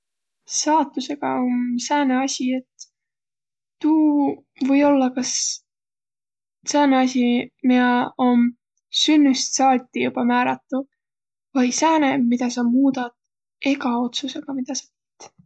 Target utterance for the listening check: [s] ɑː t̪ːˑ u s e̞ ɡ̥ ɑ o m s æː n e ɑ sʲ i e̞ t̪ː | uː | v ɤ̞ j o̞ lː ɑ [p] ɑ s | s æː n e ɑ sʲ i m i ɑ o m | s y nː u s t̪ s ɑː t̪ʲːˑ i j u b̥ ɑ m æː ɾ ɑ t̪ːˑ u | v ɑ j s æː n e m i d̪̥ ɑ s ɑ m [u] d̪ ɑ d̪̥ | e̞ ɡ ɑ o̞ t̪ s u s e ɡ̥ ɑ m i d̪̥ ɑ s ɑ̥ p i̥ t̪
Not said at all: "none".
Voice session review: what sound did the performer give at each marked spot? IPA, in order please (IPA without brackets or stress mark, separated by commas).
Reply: s, k, uː